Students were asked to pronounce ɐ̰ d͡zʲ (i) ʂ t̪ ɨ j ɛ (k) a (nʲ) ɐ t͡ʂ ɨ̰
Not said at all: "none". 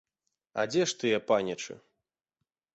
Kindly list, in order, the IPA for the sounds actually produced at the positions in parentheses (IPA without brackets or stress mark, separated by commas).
ɛ, p, nʲ